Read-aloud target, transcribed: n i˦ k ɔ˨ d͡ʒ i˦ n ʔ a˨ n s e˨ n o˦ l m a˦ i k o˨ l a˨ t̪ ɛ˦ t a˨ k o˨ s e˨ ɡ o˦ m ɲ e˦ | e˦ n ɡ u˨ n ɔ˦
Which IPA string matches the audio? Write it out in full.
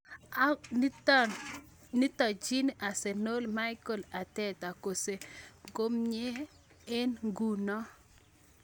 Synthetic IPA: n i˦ t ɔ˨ d͡ʒ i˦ n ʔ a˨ s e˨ n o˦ l m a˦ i k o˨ l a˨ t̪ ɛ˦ t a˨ k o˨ s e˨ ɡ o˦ m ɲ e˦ | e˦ n ɡ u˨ n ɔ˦